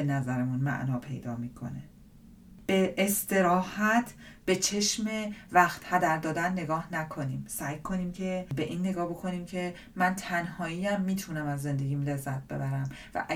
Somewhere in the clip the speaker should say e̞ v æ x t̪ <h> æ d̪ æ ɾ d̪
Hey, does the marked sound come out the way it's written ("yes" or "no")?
yes